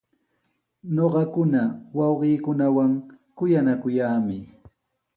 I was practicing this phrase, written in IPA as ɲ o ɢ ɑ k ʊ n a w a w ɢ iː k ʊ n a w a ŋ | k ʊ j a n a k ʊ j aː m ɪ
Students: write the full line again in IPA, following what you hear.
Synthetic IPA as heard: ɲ o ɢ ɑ k ʊ n a w ɑ w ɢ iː k ʊ n a w a ŋ | k ʊ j a n a k ʊ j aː m ɪ